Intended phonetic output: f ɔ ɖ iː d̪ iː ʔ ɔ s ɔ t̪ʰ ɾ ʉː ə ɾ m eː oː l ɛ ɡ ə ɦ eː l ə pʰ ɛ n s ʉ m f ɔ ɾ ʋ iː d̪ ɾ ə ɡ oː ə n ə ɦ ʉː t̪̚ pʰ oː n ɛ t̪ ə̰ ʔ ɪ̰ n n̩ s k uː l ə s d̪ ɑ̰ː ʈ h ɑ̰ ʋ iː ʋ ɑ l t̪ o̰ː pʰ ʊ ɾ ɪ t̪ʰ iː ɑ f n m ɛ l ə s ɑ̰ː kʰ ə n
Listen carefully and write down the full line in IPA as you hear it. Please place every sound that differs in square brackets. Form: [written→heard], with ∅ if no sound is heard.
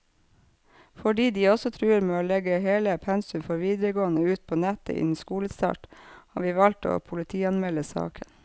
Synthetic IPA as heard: f ɔ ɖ iː d̪ iː [ʔ→∅] ɔ s ɔ t̪ʰ ɾ ʉː ə ɾ m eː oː l ɛ ɡ ə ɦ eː l ə pʰ ɛ n s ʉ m f ɔ ɾ ʋ iː d̪ ɾ ə ɡ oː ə n ə [ɦ→∅] ʉː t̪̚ pʰ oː n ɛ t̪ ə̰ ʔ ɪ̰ n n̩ s k uː l ə s [d̪→t̪] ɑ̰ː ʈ h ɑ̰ ʋ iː ʋ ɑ l t̪ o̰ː pʰ ʊ [ɾ→l] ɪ t̪ʰ iː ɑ [f→∅] n m ɛ l ə s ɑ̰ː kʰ ə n

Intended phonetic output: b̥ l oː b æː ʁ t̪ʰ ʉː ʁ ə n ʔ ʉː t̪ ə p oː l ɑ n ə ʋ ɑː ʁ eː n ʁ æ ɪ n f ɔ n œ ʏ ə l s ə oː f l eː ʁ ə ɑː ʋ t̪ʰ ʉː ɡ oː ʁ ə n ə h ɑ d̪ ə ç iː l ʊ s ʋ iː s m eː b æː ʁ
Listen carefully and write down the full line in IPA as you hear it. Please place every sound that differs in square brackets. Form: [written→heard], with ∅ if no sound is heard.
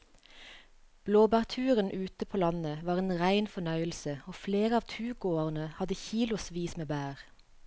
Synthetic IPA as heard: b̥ l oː b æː ʁ t̪ʰ ʉː ʁ ə n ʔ ʉː t̪ ə [p→pʰ] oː l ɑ n ə ʋ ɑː ʁ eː n ʁ æ ɪ n f ɔ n œ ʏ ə l s ə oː f l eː ʁ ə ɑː ʋ t̪ʰ ʉː ɡ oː ʁ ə n ə h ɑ d̪ ə ç iː l ʊ s ʋ iː s m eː b æː ʁ

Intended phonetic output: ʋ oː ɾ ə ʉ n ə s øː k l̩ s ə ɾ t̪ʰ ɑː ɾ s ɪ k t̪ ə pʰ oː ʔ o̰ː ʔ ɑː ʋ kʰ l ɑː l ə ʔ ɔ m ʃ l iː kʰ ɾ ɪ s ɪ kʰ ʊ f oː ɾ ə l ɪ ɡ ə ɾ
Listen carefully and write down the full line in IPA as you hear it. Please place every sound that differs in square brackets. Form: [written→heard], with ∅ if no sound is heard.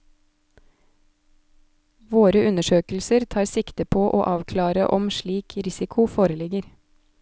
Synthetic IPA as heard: ʋ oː ɾ ə ʉ n ə [s→ʃ] øː k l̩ s ə ɾ t̪ʰ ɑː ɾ s ɪ k t̪ ə pʰ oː ʔ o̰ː ʔ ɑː ʋ kʰ l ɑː [l→ɾ] ə ʔ ɔ m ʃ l iː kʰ ɾ ɪ s ɪ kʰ ʊ f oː ɾ ə l ɪ ɡ ə ɾ

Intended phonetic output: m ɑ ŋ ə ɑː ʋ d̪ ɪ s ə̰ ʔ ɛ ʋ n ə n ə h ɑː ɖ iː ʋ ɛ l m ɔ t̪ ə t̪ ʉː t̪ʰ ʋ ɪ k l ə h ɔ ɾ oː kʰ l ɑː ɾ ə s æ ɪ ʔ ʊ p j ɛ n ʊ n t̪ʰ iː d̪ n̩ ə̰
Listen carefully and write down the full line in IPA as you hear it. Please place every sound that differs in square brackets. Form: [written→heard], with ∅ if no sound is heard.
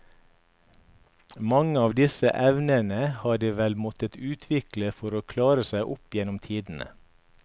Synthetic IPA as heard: m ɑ ŋ ə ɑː ʋ d̪ ɪ s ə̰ ʔ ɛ ʋ n ə n ə h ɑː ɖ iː ʋ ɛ l m ɔ t̪ ə t̪ ʉː t̪ʰ ʋ ɪ k l ə [h→f] ɔ ɾ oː kʰ l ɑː ɾ ə s æ ɪ ʔ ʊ p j ɛ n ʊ [n→m] t̪ʰ iː d̪ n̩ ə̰

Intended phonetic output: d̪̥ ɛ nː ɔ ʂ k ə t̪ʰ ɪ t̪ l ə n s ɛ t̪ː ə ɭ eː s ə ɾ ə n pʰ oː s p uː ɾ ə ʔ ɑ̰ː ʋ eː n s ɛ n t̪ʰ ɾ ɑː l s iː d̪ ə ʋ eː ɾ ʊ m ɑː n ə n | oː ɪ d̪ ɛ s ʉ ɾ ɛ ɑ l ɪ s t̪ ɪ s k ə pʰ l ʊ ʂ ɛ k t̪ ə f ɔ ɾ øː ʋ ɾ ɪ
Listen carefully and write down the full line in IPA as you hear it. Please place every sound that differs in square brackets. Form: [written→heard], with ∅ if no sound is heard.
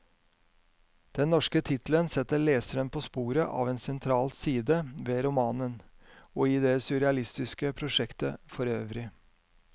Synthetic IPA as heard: d̪̥ ɛ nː ɔ ʂ k ə t̪ʰ ɪ t̪ l ə n s ɛ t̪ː ə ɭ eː s ə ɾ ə n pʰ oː s p uː ɾ ə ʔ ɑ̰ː ʋ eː n s ɛ n t̪ʰ ɾ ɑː l s iː d̪ ə ʋ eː ɾ ʊ m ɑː n ə n | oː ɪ d̪ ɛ s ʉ ɾ ɛ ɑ l ɪ s t̪ ɪ s k ə pʰ [l→ɾ] ʊ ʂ ɛ k t̪ ə f ɔ ɾ øː ʋ ɾ ɪ

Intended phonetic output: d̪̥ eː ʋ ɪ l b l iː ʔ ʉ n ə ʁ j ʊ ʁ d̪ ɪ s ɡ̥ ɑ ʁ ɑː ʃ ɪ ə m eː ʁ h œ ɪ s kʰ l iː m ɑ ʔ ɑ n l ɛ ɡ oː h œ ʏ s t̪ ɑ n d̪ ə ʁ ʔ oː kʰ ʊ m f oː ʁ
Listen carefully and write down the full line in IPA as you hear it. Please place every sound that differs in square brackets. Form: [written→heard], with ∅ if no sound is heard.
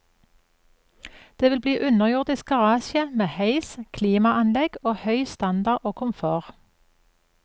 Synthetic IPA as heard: d̪̥ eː ʋ ɪ l b l iː ʔ ʉ n ə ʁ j ʊ ʁ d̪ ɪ s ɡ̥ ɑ ʁ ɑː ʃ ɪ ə m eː [ʁ→∅] h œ ɪ s kʰ l iː m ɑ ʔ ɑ n l ɛ ɡ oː h œ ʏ s t̪ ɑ n d̪ [ə→ɑ] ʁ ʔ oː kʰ ʊ m f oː ʁ

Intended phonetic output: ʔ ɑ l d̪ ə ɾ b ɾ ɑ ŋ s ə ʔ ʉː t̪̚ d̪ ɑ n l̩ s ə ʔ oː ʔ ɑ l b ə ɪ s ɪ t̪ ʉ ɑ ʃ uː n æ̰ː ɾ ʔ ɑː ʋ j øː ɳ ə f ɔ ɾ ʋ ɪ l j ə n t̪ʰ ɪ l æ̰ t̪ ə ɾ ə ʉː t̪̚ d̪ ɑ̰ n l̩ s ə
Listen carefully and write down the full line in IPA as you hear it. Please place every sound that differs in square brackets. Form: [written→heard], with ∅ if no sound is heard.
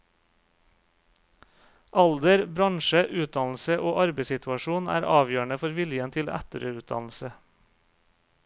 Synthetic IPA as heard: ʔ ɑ l d̪ ə ɾ b ɾ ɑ ŋ [s→ʃ] ə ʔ ʉː t̪̚ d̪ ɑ n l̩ s ə ʔ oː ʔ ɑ [l→ɾ] b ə ɪ s ɪ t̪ ʉ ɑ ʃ uː n æ̰ː ɾ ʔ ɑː ʋ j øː ɳ ə f ɔ ɾ ʋ ɪ l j ə n t̪ʰ ɪ l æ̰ t̪ ə ɾ ə ʉː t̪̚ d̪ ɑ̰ n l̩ s ə

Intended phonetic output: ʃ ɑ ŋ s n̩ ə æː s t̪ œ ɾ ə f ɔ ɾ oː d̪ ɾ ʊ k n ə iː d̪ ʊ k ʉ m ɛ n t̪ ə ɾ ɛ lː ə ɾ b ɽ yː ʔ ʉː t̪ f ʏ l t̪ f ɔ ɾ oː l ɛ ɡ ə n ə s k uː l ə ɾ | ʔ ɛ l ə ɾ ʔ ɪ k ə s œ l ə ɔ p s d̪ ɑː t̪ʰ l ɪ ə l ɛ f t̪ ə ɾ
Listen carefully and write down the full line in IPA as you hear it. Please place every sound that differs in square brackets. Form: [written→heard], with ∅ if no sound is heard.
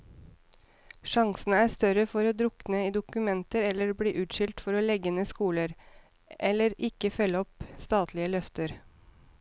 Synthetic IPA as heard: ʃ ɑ ŋ s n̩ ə æː s t̪ œ ɾ ə f ɔ ɾ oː d̪ ɾ ʊ k n ə iː d̪ ʊ k ʉ m ɛ n t̪ ə ɾ ɛ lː ə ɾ b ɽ [yː→iː] ʔ ʉː t̪ [f→ʃ] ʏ l t̪ f ɔ ɾ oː l ɛ ɡ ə n ə s k uː l ə ɾ | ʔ ɛ l ə ɾ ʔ ɪ k ə [s→f] œ l ə ɔ p s [d̪→t̪] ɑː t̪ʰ l ɪ ə l [ɛ→œ] f t̪ ə ɾ

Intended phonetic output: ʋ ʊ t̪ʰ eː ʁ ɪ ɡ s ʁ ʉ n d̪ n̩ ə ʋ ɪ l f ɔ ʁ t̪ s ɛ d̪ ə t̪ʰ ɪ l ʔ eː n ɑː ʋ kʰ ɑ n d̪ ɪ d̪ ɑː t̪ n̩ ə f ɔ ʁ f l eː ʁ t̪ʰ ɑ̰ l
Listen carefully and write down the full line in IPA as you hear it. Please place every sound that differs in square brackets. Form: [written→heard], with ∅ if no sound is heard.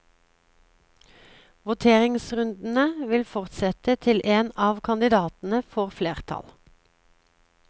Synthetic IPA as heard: ʋ ʊ t̪ʰ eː ʁ ɪ [ɡ→ŋ] s ʁ ʉ n d̪ n̩ ə ʋ ɪ l f ɔ ʁ t̪ s ɛ [d̪→t̪] ə t̪ʰ ɪ l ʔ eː n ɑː ʋ kʰ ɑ n d̪ ɪ d̪ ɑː t̪ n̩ ə f ɔ ʁ f l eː ʁ t̪ʰ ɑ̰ l

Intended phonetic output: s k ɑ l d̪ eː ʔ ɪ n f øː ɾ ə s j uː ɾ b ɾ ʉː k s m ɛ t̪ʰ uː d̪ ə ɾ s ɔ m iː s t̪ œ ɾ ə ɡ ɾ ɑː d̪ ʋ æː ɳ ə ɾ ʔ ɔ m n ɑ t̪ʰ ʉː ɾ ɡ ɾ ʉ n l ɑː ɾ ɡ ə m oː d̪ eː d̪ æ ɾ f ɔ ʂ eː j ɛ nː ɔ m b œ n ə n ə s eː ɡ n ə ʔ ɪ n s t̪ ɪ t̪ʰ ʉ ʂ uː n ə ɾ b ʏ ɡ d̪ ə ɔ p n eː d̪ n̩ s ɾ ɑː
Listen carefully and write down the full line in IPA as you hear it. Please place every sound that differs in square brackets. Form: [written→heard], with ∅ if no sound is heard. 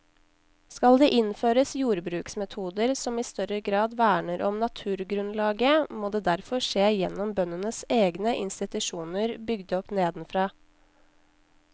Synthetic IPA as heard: s k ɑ l d̪ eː ʔ ɪ n f øː ɾ ə s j uː ɾ b ɾ ʉː k s m ɛ t̪ʰ uː d̪ ə ɾ s ɔ m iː s t̪ œ ɾ ə ɡ ɾ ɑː d̪ ʋ æː ɳ ə ɾ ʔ ɔ m n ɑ t̪ʰ ʉː ɾ ɡ ɾ ʉ n l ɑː [ɾ→∅] ɡ ə m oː d̪ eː d̪ æ ɾ f ɔ ʂ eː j ɛ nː ɔ m b œ n ə n ə s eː ɡ n ə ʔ ɪ n s t̪ ɪ [t̪ʰ→t̪] ʉ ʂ uː n ə ɾ b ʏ ɡ d̪ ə ɔ p n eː d̪ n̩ [s→f] ɾ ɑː

